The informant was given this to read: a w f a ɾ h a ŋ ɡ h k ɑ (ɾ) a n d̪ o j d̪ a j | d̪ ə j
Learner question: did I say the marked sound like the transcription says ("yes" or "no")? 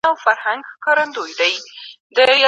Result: yes